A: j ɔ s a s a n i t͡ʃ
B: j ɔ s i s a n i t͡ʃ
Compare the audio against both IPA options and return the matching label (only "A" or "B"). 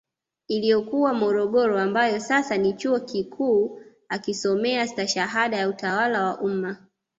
A